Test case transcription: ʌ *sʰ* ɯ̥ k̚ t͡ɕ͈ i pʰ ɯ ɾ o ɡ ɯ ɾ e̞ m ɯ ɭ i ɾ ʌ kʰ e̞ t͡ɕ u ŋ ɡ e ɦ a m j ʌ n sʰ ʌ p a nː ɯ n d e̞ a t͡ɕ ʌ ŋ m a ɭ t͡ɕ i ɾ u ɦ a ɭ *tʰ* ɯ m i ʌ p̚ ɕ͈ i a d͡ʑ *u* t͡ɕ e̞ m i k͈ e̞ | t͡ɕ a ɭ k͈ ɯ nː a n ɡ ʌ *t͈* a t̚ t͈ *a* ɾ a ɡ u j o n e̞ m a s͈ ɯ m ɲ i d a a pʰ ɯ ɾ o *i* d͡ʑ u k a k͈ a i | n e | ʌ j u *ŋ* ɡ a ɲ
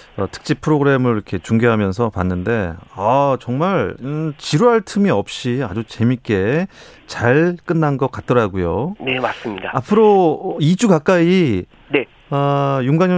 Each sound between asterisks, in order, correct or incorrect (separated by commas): incorrect, correct, correct, incorrect, incorrect, correct, correct